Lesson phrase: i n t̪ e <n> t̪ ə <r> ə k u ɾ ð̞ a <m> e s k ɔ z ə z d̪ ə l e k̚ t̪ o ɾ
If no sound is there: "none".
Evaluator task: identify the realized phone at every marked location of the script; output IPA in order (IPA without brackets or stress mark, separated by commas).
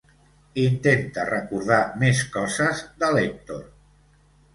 n, r, m